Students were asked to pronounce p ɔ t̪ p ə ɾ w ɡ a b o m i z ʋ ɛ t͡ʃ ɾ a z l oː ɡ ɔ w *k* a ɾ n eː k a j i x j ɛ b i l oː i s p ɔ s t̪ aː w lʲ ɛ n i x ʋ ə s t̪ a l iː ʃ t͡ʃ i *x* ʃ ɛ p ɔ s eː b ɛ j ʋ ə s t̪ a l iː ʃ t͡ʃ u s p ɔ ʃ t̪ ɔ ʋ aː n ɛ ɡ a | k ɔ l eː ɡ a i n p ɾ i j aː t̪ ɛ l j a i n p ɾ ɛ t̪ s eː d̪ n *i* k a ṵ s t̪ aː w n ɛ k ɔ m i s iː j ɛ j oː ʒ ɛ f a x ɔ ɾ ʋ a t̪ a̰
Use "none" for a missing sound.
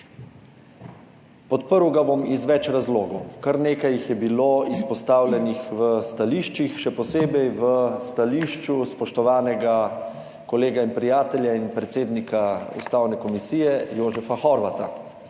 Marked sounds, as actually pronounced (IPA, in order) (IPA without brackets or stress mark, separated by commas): k, x, i